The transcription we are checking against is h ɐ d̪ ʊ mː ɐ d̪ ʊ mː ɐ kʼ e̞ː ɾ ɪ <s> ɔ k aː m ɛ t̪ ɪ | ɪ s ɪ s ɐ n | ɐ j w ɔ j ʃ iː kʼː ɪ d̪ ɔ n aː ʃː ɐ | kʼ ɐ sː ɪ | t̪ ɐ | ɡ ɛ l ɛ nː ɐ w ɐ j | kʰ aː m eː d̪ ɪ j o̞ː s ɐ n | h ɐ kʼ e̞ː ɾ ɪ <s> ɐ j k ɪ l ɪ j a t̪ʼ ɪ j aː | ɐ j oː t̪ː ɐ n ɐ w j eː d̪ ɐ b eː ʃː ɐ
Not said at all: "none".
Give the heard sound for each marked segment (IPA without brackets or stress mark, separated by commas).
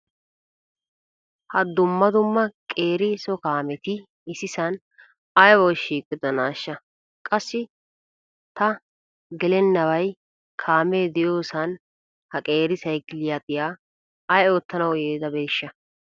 s, s